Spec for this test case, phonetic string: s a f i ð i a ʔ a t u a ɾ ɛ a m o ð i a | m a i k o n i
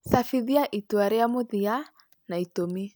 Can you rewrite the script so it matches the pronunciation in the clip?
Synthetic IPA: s a f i ð i a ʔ i t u a ɾ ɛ a m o ð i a | n a i t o m i